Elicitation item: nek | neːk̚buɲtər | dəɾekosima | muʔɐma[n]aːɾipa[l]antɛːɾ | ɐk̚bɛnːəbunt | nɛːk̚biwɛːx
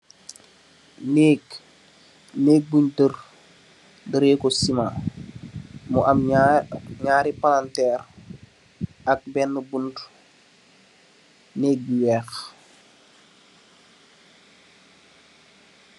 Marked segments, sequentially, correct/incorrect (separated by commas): incorrect, correct